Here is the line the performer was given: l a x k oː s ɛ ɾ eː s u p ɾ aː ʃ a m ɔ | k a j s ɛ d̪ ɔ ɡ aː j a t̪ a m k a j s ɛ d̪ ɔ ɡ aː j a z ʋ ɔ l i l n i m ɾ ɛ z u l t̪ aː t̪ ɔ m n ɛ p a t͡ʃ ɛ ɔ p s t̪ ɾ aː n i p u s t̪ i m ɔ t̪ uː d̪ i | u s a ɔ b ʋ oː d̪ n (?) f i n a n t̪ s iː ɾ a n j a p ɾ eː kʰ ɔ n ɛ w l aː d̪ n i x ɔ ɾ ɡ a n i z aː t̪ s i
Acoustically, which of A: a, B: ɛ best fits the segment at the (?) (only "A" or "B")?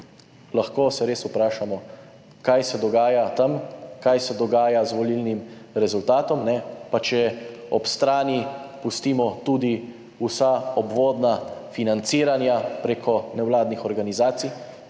A